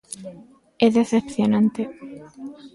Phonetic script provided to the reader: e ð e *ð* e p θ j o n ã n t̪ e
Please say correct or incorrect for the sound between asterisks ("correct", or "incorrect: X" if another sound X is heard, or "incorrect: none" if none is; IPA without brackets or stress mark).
incorrect: θ